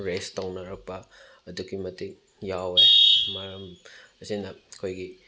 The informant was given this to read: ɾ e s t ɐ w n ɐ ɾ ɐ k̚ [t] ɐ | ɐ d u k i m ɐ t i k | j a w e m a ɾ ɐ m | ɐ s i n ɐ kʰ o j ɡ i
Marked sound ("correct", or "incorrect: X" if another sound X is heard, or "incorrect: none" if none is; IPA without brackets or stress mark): incorrect: p